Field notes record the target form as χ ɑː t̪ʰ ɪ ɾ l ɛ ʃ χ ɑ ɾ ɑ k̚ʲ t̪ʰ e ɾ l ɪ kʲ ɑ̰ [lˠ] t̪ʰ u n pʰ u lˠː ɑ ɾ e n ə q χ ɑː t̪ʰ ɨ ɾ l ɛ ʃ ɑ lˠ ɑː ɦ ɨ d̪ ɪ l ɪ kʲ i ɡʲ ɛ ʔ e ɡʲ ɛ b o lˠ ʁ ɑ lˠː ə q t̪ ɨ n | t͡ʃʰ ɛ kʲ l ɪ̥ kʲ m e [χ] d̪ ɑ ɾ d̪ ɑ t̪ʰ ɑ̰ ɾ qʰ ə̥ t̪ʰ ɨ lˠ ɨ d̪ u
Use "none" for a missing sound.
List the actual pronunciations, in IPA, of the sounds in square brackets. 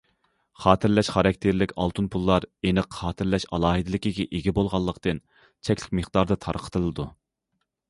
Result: lˠ, χ

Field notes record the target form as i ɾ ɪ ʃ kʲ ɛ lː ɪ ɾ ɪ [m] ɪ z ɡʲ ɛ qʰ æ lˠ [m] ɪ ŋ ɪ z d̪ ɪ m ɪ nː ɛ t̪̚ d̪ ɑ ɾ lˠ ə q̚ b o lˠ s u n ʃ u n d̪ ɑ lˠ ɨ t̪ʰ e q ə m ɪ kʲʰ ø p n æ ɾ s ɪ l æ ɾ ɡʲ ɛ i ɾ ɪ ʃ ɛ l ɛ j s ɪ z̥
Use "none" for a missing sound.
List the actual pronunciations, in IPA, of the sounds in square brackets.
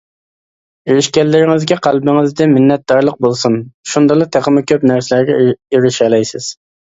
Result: ŋ, b

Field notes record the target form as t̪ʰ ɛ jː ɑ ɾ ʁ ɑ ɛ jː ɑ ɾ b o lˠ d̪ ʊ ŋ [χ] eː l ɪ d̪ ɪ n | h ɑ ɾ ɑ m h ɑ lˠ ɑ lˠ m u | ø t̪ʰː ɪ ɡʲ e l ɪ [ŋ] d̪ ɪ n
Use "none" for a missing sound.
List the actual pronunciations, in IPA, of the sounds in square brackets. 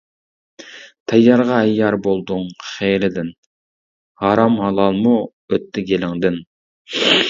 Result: χ, ŋ

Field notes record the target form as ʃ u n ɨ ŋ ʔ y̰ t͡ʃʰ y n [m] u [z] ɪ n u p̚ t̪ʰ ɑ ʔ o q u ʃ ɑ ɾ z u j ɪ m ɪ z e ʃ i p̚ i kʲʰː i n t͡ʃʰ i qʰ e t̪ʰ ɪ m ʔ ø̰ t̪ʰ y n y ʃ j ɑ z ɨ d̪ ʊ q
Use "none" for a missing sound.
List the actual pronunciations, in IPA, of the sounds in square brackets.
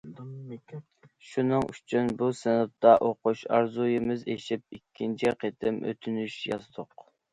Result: b, s

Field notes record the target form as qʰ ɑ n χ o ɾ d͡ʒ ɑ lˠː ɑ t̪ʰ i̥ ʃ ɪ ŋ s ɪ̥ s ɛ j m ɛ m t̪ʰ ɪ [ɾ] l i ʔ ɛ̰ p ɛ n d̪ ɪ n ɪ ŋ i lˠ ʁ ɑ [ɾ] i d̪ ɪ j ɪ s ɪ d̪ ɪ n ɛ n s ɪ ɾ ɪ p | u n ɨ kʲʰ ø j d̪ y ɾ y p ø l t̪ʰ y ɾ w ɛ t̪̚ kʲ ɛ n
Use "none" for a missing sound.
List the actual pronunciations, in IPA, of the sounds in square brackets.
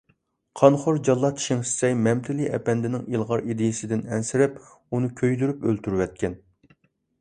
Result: none, ɾ

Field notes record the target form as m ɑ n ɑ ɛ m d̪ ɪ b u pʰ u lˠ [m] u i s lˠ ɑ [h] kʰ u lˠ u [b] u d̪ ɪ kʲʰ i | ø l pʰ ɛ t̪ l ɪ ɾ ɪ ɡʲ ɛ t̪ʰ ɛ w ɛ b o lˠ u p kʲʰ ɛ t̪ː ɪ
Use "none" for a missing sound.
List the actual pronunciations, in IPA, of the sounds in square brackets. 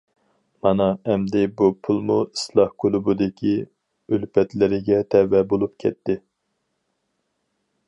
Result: m, h, b

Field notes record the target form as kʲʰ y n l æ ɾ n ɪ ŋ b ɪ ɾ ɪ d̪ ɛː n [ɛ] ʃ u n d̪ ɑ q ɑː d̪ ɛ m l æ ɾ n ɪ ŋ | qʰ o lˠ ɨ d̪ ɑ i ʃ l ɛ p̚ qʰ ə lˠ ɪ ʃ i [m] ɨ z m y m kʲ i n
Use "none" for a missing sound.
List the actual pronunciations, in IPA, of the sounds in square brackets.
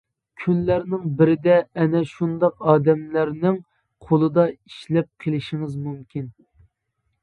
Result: ɛ, ŋ

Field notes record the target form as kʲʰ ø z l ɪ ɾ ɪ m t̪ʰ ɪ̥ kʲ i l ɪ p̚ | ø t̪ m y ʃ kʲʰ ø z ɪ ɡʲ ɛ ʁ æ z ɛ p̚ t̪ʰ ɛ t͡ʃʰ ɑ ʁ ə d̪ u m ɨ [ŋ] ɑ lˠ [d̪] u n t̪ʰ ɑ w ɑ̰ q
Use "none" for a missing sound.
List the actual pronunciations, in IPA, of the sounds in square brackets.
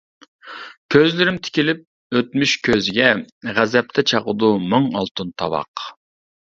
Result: ŋ, t̪

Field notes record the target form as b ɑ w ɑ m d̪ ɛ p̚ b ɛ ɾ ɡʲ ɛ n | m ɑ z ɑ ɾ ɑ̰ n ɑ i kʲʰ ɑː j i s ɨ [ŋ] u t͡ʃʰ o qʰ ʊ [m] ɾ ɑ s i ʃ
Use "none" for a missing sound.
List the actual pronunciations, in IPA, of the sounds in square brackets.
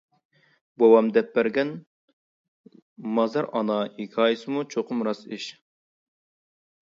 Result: m, m

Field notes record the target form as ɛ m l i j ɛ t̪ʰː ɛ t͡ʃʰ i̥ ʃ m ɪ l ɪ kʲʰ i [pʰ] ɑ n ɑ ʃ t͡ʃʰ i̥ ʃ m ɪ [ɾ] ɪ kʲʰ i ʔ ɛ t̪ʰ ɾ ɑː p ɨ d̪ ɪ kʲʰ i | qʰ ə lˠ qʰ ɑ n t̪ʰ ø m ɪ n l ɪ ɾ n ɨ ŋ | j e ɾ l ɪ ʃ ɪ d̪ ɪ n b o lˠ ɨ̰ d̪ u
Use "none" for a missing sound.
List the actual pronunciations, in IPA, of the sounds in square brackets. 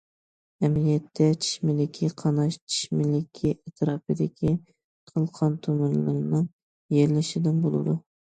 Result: qʰ, l

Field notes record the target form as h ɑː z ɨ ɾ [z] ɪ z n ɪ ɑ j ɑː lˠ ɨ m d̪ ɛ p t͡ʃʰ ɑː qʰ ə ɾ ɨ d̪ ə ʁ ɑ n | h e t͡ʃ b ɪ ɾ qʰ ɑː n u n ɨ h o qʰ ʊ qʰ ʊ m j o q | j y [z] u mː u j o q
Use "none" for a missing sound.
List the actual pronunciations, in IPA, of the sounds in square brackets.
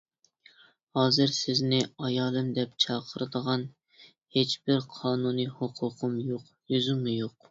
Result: s, z

